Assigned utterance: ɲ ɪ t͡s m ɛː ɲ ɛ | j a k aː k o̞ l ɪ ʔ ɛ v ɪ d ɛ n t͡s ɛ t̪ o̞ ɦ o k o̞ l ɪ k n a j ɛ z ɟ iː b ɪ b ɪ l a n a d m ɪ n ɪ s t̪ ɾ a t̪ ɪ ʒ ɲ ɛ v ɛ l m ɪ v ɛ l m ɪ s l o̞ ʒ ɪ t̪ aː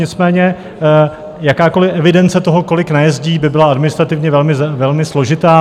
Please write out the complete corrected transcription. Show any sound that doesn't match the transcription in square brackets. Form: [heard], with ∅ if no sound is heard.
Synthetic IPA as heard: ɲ ɪ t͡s m ɛː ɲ ɛ | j a k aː k o̞ l ɪ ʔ ɛ v ɪ d ɛ n t͡s ɛ t̪ o̞ ɦ o k o̞ l ɪ k n a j ɛ z ɟ iː b ɪ b ɪ l a [∅] a d m ɪ n ɪ s t̪ ɾ a t̪ ɪ [v] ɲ ɛ v ɛ l m ɪ v ɛ l m ɪ s l o̞ ʒ ɪ t̪ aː